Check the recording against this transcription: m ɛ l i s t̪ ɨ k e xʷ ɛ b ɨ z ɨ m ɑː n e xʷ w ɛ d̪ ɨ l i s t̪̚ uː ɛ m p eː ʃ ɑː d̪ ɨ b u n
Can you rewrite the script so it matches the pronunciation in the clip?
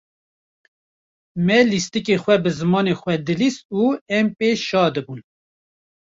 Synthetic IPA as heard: m ɛ l i s t̪ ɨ k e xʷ ɛ b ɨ z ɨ m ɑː n e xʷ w ɛ d̪ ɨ l i s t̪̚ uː ɛ m p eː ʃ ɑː d̪ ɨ b u n